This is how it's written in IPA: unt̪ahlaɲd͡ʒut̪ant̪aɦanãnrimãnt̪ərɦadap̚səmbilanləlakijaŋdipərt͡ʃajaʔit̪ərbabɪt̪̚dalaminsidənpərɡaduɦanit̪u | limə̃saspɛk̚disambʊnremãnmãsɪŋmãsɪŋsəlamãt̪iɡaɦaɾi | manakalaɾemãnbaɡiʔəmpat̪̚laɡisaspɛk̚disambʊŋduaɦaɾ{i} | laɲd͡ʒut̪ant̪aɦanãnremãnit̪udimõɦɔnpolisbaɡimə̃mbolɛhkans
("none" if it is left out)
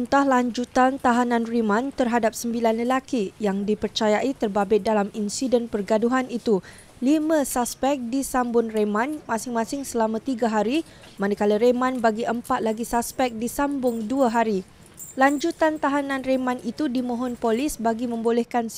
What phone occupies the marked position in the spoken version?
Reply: i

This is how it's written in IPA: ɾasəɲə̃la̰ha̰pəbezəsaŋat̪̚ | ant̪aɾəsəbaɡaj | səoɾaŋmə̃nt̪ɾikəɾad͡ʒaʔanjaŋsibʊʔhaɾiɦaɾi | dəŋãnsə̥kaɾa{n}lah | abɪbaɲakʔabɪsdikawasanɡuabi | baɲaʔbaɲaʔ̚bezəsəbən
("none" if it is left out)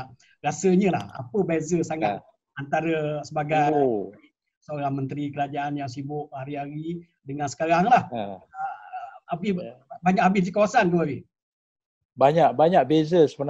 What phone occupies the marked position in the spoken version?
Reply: ŋ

